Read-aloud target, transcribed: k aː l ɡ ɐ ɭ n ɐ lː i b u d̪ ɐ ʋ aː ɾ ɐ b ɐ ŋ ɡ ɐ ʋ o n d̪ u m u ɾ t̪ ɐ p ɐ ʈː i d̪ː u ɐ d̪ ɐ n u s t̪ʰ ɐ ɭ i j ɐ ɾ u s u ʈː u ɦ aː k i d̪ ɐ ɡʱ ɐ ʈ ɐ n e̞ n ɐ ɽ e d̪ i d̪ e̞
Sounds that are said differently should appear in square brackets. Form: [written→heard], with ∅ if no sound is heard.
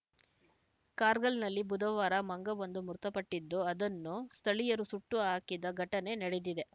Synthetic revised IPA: k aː [l→ɾ] ɡ ɐ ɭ n ɐ lː i b u d̪ ɐ ʋ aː ɾ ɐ [b→m] ɐ ŋ ɡ ɐ ʋ o n d̪ u m u ɾ t̪ ɐ p ɐ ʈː i d̪ː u ɐ d̪ ɐ [n→nː] u s t̪ʰ ɐ ɭ i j ɐ ɾ u s u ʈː u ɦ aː k i d̪ ɐ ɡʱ ɐ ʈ ɐ n e̞ n ɐ ɽ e d̪ i d̪ e̞